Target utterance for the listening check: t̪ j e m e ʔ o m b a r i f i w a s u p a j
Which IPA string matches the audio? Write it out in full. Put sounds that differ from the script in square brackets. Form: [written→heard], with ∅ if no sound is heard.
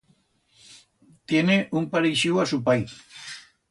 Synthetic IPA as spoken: t̪ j e [m→n] e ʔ [o→u] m [b→p] a [r→ɾ] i [f→ʃ] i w a s u p a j